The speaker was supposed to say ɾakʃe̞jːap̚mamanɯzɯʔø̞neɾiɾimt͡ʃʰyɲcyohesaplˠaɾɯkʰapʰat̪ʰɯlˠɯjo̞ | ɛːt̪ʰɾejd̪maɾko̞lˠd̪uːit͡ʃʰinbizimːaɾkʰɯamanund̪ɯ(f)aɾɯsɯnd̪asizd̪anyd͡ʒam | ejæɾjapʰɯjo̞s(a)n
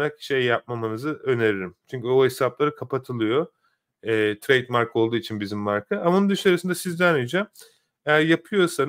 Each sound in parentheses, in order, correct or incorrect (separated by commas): incorrect, correct